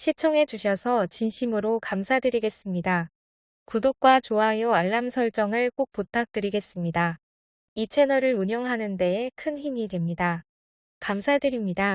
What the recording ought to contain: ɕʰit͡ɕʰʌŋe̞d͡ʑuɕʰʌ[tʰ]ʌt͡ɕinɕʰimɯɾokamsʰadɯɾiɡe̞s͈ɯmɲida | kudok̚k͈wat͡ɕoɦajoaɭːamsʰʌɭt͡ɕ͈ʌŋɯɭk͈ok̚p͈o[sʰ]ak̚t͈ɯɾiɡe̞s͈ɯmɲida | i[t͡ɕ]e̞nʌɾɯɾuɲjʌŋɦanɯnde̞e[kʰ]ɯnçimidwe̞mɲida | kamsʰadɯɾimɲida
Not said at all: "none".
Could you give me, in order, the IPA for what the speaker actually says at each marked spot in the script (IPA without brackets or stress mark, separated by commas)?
sʰ, tʰ, t͡ɕʰ, kʰ